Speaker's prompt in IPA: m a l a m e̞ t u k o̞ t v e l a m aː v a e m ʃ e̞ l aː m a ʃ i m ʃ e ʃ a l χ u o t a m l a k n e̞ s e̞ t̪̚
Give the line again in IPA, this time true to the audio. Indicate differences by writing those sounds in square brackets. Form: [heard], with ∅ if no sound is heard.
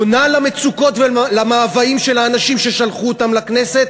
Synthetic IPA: [n] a l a m e̞ [t͡s] u k o̞ t v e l a m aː v a [i] m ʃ e̞ l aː [n] a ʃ i m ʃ e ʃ a l χ u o t a m l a k n e̞ s e̞ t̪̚